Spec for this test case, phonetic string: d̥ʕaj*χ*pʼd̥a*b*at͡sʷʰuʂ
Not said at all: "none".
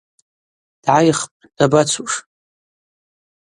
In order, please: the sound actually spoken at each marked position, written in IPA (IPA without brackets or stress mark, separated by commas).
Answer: χ, b